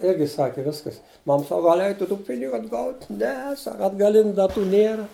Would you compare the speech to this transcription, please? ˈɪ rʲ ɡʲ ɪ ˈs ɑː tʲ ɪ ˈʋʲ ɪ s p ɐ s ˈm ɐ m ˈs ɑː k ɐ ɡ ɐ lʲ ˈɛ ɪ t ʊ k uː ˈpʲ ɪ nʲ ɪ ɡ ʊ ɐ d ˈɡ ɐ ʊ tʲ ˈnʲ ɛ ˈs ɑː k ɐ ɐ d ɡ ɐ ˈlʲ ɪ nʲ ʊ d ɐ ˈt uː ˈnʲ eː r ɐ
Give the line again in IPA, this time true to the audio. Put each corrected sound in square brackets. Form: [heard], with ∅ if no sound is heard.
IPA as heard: ˈɪ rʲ ɡʲ ɪ ˈs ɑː [kʲ] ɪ ˈʋʲ ɪ s [k] ɐ s ˈm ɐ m ˈs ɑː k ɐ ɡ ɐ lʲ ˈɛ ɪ t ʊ [t] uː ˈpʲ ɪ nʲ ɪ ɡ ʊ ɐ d ˈɡ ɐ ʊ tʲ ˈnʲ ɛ ˈs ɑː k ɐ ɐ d ɡ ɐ ˈlʲ ɪ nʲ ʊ d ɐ ˈt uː ˈnʲ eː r ɐ